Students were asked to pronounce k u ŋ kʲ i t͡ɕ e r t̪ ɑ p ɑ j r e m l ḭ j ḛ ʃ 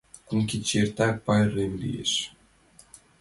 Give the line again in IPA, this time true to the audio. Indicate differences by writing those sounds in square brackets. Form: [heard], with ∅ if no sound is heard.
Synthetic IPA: k u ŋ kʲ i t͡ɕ e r t̪ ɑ p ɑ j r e m l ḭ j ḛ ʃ